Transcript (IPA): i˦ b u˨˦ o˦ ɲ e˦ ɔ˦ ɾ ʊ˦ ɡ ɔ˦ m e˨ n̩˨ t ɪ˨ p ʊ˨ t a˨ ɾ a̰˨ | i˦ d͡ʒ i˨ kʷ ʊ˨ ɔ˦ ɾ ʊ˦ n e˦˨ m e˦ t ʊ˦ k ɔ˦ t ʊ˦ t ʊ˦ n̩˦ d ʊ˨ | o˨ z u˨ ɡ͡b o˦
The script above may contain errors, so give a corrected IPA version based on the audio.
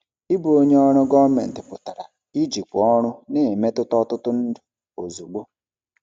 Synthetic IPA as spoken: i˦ b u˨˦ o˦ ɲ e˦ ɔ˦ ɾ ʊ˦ ɡ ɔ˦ m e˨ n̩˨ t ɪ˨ p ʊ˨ t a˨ ɾ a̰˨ | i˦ d͡ʒ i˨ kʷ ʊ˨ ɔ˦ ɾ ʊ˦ n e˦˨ m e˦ t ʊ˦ t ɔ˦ t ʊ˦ t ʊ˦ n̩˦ d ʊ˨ | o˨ z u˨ ɡ͡b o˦